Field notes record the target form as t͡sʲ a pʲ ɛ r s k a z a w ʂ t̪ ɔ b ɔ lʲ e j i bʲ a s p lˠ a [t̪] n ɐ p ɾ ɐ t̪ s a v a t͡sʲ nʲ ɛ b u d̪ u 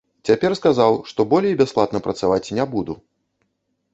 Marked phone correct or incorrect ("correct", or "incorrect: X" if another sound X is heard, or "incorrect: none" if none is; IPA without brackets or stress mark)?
correct